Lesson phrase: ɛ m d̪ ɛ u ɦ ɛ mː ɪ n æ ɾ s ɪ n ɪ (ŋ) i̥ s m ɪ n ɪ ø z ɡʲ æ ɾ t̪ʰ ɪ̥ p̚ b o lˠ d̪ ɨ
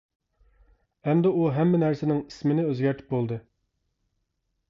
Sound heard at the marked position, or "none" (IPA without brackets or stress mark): ŋ